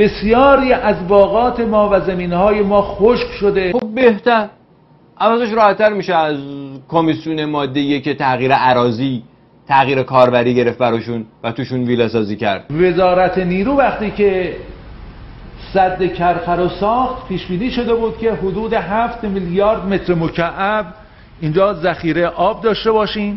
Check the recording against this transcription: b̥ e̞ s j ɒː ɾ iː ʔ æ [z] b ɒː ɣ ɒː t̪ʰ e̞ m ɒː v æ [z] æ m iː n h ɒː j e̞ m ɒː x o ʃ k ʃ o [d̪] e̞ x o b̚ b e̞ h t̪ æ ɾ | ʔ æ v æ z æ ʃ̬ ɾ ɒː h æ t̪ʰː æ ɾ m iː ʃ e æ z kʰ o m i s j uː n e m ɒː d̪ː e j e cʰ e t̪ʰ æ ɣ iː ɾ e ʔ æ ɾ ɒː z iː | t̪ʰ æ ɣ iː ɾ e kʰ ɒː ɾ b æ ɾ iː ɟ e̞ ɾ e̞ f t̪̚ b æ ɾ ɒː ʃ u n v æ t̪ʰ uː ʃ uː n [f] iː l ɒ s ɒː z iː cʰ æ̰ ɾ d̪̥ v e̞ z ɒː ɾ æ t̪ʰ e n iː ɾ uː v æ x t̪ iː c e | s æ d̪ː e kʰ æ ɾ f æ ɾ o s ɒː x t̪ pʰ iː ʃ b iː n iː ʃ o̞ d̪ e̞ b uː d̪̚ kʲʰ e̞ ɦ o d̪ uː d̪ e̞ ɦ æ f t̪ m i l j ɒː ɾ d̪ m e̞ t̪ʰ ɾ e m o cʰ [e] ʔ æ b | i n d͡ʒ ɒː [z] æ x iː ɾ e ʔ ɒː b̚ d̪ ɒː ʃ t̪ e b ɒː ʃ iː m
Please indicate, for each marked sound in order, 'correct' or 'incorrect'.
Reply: correct, correct, correct, incorrect: v, incorrect: æ, correct

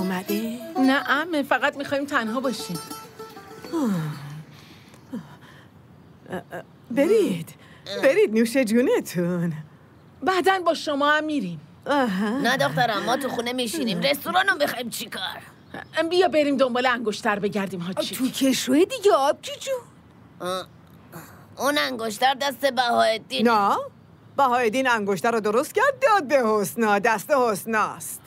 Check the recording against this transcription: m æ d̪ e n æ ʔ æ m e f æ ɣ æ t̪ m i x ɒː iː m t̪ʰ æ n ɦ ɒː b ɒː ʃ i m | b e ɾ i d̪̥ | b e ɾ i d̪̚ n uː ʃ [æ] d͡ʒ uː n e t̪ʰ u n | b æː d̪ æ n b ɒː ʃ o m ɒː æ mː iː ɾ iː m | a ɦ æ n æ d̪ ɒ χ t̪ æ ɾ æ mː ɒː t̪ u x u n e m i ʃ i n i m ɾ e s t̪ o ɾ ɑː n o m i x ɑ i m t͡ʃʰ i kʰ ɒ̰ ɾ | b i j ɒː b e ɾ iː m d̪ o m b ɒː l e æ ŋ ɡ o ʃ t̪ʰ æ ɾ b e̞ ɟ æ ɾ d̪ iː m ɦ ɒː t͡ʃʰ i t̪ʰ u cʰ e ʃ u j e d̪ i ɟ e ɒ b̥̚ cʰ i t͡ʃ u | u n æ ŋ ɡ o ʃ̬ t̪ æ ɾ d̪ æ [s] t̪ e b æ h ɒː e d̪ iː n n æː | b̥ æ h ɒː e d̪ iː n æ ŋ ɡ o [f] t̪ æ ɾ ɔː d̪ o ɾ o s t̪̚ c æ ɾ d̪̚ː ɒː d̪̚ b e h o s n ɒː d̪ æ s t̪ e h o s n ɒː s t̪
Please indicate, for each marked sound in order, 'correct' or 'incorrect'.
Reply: incorrect: e, correct, incorrect: ʃ

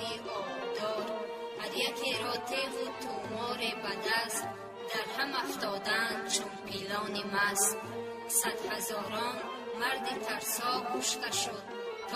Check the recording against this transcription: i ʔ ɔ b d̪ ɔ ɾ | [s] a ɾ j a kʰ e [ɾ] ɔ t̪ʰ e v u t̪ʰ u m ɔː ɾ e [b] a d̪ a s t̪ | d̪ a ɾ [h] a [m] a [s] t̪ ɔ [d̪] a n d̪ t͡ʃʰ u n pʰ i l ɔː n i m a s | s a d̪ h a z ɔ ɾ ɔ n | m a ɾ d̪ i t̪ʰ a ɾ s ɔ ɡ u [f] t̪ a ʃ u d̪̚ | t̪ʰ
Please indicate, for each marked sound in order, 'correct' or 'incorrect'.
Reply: incorrect: h, correct, correct, correct, correct, incorrect: f, correct, incorrect: ʃ

